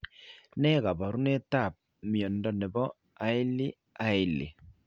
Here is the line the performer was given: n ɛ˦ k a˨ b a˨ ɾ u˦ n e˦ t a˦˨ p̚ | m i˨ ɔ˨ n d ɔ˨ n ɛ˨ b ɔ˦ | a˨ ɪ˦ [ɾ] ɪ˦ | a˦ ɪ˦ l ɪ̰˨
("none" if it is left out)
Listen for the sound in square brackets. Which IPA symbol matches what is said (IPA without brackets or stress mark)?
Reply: l